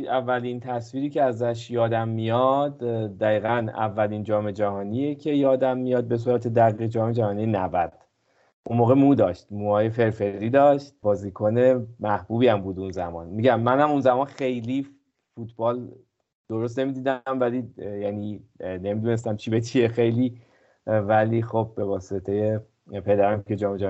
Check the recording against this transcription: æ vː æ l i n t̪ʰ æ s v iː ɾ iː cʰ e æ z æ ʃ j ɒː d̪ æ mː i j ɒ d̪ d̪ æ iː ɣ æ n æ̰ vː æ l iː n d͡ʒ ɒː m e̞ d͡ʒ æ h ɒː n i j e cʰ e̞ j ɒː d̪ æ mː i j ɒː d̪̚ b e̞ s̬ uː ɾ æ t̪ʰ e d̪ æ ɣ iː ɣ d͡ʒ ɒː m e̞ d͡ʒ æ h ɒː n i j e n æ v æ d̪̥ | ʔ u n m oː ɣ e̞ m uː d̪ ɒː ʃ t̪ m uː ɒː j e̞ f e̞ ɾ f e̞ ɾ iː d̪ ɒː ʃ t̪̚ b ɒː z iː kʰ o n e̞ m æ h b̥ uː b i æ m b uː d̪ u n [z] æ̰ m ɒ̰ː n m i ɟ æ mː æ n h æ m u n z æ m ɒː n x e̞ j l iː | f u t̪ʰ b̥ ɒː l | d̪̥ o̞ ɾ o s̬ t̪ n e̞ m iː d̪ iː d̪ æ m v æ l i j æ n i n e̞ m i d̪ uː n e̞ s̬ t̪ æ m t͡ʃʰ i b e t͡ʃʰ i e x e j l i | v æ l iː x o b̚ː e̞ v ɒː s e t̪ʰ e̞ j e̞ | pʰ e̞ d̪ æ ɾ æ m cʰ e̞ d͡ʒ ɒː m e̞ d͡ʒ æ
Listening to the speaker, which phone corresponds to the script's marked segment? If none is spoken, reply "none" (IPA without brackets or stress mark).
z